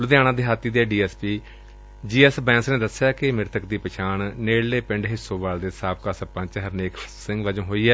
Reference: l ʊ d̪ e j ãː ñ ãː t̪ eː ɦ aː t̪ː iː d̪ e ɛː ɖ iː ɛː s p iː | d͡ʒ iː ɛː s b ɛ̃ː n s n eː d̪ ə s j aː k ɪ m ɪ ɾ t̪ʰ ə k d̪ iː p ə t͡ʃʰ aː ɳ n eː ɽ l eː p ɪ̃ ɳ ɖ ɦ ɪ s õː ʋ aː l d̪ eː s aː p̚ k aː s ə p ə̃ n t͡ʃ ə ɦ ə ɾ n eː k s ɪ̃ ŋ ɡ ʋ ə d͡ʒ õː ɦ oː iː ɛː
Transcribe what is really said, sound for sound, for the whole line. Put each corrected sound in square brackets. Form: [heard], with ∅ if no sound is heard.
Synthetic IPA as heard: l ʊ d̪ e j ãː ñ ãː [d̪] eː ɦ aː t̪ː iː d̪ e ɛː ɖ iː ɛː s p iː | d͡ʒ iː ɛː s b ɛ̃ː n s n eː d̪ ə s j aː k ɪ m ɪ ɾ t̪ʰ ə k d̪ iː p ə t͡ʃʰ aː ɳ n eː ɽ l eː p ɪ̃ ɳ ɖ ɦ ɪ s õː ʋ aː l d̪ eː s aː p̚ k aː s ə p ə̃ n t͡ʃ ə ɦ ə ɾ n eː k s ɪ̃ ŋ ɡ ʋ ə d͡ʒ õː ɦ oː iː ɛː